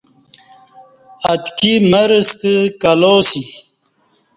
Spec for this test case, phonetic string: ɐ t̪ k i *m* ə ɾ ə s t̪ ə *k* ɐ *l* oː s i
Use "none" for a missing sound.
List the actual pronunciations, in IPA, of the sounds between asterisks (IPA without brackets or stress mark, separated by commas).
m, k, l